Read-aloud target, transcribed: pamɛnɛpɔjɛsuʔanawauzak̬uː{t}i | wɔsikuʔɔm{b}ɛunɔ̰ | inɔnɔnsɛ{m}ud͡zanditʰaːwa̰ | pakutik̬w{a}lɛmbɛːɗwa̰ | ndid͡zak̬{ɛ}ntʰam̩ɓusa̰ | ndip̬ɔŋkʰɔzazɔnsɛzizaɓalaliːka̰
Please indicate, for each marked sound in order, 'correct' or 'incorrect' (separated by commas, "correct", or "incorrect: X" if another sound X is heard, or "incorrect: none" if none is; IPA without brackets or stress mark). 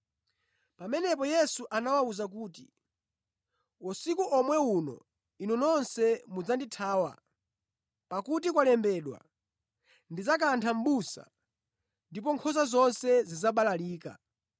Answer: correct, incorrect: w, correct, correct, incorrect: a